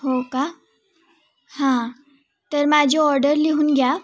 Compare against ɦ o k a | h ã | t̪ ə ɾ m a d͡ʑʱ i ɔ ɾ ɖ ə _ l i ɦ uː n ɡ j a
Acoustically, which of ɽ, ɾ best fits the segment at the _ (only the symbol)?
ɾ